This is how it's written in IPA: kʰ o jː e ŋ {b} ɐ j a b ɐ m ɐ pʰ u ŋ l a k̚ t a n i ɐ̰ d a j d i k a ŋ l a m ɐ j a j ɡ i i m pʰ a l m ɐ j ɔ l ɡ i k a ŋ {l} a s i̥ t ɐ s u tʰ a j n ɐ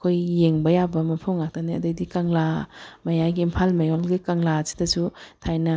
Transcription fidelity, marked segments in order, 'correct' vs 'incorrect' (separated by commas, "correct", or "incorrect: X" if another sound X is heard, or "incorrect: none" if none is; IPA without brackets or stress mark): correct, correct